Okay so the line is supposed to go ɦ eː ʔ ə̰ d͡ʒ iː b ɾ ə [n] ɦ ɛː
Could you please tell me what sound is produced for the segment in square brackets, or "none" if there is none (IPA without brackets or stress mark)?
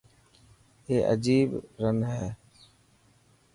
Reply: n